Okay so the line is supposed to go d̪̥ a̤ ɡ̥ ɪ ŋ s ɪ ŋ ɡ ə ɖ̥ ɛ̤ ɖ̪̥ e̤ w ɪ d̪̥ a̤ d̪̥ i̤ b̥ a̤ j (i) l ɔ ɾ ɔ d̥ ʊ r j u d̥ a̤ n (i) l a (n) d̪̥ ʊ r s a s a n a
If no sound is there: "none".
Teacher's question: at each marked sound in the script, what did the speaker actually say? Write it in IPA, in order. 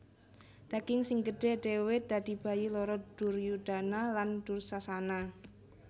i, a, n

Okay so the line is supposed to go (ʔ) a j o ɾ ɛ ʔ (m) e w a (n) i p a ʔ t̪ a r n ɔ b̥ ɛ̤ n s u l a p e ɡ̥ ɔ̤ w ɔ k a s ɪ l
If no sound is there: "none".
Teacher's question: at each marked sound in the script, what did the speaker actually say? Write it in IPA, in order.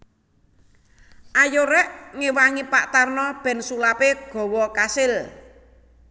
ʔ, ŋ, ŋ

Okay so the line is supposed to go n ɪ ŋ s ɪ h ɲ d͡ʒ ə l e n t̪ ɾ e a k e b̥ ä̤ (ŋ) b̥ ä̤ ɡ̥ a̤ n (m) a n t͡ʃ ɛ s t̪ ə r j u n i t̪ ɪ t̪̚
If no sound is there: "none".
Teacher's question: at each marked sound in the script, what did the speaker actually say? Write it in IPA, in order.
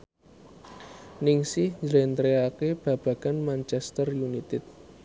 none, m

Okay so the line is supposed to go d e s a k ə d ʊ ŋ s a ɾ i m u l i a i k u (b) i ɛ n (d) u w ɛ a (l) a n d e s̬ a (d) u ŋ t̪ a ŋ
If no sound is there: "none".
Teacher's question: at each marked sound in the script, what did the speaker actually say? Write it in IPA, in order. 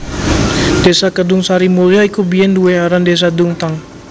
b, d, ɾ, d

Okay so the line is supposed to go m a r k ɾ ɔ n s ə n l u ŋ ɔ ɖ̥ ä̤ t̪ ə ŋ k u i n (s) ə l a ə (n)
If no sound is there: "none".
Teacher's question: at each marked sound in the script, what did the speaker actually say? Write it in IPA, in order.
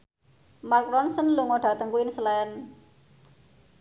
s, n

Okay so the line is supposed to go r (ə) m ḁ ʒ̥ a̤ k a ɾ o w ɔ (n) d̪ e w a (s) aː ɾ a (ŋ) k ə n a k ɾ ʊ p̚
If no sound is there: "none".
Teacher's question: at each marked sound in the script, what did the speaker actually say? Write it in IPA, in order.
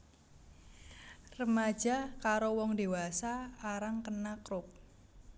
ə, ŋ, s, ŋ

